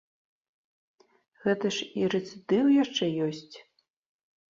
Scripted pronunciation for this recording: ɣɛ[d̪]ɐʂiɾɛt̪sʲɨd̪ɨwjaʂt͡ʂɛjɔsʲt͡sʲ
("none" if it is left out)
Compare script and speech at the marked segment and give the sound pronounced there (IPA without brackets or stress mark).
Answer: t̪